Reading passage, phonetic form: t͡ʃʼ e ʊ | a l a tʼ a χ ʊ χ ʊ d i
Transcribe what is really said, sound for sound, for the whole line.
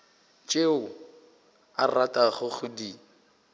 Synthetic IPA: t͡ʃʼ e ʊ | a r a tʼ a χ ʊ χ ʊ d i